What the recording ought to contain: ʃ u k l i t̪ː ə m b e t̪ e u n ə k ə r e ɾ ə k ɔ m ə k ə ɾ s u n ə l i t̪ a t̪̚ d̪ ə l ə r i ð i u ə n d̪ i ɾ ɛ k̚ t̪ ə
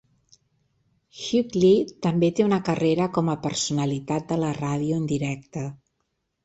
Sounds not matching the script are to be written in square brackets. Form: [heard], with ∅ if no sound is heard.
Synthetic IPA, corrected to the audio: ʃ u k l i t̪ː ə m b e t̪ e u n ə k ə r e ɾ ə k ɔ m ə [p] ə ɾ s u n ə l i t̪ a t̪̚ d̪ ə l ə r [a] ð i u ə n d̪ i ɾ ɛ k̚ t̪ ə